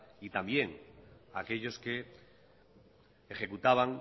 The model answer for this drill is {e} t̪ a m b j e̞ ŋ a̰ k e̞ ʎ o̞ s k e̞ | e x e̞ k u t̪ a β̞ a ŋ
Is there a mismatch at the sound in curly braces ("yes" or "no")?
yes